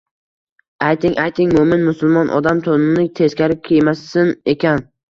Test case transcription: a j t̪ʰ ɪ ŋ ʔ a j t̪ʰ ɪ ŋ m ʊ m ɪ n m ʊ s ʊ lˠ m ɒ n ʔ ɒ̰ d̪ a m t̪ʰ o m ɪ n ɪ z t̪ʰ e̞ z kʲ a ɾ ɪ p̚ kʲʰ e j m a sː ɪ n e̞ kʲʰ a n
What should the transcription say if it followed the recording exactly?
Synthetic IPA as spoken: a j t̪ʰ ɪ ŋ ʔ a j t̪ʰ ɪ ŋ m ʊ m ɪ n m ʊ s ʊ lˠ m ɒ n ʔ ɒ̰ d̪ a m t̪ʰ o n ɪ n ɪ t̪ʰ e̞ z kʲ a ɾ ɪ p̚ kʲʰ e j m a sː ɪ n e̞ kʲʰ a n

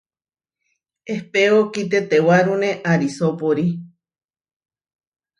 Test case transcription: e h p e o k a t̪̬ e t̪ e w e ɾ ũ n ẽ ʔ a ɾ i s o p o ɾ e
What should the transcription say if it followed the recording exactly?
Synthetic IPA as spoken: e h p e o k i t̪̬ e t̪ e w a ɾ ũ n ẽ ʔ a ɾ i s o p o ɾ i

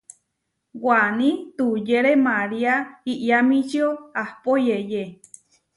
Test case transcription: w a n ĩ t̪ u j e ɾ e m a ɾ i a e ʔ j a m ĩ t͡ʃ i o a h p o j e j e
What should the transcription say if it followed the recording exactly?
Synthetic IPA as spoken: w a n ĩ t̪ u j e ɾ e m a ɾ i a i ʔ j a m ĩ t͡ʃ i o a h p o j e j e

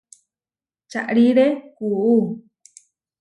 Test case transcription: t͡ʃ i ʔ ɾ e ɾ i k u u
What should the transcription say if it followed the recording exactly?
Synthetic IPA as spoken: t͡ʃ a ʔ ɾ i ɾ e k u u

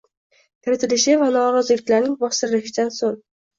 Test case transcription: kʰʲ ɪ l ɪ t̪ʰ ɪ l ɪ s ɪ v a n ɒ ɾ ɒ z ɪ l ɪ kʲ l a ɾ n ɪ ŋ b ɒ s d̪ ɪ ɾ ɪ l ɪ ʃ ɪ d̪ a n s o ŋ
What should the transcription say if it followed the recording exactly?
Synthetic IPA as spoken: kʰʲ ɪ ɾ ɪ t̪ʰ ɪ l ɪ ʃ ɪ v a n ɒ ɾ ɒ z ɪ l ɪ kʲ l a ɾ n ɪ ŋ b ɒ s t̪ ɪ ɾ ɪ l ɪ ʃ ɪ d̪ a n s o ŋ

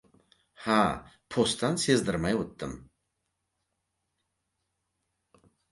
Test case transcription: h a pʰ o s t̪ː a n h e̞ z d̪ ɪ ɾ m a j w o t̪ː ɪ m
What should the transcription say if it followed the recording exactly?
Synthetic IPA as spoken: h a pʰ o s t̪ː a n s e̞ z d̪ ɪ ɾ m a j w o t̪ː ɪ m

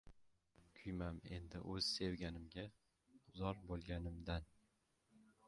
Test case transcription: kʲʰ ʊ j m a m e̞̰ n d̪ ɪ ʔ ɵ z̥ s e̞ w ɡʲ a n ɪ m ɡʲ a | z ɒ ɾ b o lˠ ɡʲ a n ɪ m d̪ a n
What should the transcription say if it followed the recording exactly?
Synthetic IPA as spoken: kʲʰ ʊ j m a m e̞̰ n d̪ ɪ ʔ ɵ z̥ s e̞ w ɡʲ a n ɪ m ɡʲ a | z ɒ ɾ b o lˠ ɡʲ a n ɪ m d̪ a n

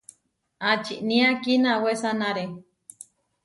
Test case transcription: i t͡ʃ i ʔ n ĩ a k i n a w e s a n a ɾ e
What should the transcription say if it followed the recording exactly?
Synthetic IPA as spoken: a t͡ʃ i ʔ n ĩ a k i n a w e s a n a ɾ e

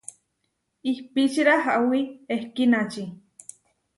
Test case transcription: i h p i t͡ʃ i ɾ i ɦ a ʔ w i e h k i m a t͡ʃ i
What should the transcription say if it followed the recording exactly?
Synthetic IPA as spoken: i h p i t͡ʃ i ɾ a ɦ a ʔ w i e h k i n a t͡ʃ i

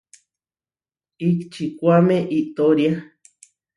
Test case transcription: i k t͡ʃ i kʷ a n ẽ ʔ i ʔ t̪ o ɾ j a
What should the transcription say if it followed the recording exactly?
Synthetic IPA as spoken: i k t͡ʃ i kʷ a m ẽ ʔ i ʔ t̪ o ɾ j a

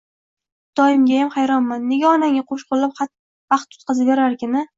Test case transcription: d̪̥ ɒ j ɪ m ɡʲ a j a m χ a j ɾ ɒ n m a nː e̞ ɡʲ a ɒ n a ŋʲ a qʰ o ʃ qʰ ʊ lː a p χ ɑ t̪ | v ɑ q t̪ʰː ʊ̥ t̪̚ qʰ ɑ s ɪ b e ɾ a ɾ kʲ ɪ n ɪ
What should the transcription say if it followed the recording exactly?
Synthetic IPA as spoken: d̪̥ ɒ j ɪ m ɡʲ a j a m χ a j ɾ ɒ n m a nː e̞ ɡʲ a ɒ n a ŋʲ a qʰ o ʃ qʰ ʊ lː a p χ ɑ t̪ | v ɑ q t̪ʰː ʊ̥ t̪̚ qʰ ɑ z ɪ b e ɾ a ɾ kʲ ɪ n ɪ

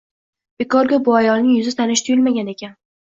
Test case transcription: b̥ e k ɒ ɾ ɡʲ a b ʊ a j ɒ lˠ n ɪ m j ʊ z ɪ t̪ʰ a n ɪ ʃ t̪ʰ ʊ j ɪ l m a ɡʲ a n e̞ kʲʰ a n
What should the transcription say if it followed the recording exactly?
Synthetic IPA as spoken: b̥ e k ɒ ɾ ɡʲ a b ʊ a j ɒ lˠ n ɪ ŋ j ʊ z ɪ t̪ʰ a n ɪ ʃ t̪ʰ ʊ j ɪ l m a ɡʲ a n e̞ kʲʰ a n

